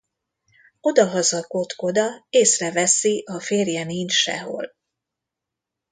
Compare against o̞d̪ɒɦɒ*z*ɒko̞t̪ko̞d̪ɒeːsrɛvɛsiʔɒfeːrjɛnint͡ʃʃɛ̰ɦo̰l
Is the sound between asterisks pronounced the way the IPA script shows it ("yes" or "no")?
yes